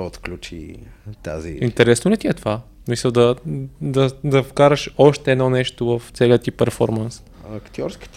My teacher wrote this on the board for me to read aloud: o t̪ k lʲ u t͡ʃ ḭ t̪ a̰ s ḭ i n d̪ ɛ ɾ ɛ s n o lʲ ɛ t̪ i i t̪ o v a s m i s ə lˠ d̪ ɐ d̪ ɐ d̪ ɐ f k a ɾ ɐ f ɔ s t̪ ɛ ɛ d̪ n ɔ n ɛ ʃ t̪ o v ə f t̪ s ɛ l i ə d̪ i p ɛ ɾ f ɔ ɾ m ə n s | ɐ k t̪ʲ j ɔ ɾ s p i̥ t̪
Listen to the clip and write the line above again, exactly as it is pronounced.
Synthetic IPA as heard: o t̪ k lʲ u t͡ʃ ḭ t̪ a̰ z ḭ i n t̪ ɛ ɾ ɛ s n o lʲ ɛ t̪ i ɛ t̪ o v a s m i s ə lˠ d̪ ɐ d̪ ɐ d̪ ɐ f k a ɾ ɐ ʃ ɔ ʃ t̪ ɛ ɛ d̪ n ɔ n ɛ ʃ t̪ o v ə f t̪ s ɛ l i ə t̪ i p ɛ ɾ f ɔ ɾ m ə n s | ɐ k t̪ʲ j ɔ ɾ s k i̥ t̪